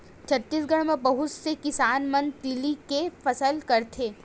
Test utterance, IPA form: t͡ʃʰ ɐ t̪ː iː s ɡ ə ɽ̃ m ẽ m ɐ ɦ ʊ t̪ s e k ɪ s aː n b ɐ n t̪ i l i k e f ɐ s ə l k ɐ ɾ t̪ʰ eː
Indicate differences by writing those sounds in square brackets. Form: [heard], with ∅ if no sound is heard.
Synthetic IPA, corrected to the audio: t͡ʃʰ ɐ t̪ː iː s ɡ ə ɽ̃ m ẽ [b] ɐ ɦ ʊ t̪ s e k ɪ s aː n [m] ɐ n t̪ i l i k e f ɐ s ə l k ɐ ɾ t̪ʰ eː